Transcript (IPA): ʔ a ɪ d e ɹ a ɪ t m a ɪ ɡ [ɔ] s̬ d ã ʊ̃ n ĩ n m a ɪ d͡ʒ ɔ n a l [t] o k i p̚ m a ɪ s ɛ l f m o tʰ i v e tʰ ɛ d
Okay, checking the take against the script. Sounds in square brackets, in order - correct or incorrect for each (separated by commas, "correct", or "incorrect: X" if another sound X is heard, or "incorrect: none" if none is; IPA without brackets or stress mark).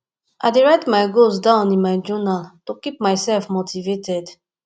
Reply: incorrect: o, correct